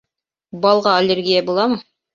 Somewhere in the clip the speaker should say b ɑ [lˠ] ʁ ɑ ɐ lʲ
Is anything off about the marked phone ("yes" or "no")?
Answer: no